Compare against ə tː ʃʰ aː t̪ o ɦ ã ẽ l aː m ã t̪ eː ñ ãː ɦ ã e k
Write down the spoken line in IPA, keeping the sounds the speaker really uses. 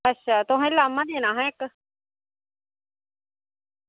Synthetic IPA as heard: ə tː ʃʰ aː t̪ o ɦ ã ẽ l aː m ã d̪ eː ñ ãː ɦ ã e k

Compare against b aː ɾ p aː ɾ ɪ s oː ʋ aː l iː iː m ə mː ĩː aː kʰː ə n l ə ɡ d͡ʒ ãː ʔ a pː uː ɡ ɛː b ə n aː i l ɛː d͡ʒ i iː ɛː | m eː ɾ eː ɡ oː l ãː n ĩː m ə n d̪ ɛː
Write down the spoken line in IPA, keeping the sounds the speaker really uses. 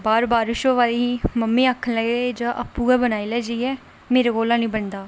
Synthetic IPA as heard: b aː ɾ b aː ɾ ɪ ʃ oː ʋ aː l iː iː m ə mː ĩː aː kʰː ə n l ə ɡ d͡ʒ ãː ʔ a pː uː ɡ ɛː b ə n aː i l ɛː d͡ʒ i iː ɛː | m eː ɾ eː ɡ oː l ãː n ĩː b ə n d̪ aː

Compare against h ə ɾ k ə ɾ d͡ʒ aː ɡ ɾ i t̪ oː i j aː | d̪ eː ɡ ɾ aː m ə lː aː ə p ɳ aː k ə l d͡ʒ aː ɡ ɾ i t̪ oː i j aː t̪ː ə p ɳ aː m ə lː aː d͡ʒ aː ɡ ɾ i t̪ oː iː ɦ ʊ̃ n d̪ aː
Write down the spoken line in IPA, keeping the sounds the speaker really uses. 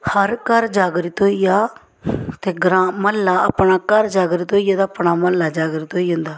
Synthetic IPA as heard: h ə ɾ k ə ɾ d͡ʒ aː ɡ ɾ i t̪ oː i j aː | t̪ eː ɡ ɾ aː m ə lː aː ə p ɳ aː k ə ɾ d͡ʒ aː ɡ ɾ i t̪ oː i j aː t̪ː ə p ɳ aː m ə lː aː d͡ʒ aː ɡ ɾ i t̪ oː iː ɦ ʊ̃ n d̪ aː

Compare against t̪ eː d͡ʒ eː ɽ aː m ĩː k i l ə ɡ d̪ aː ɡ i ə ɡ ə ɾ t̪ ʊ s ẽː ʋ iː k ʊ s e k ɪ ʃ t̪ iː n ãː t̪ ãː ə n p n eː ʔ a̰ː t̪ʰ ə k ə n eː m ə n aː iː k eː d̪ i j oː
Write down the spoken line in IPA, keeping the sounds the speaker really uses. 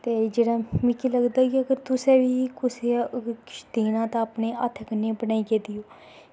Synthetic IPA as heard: t̪ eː d͡ʒ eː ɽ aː m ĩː k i l ə ɡ d̪ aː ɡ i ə ɡ ə ɾ t̪ ʊ s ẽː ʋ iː k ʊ s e k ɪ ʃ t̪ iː n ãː t̪ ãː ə p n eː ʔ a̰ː t̪ʰ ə k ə n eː b ə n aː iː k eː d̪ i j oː

